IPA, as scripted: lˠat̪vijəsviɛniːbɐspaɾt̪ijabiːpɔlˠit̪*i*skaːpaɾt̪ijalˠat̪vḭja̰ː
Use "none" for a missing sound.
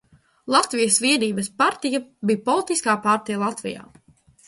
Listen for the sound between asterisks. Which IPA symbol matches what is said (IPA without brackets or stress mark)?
i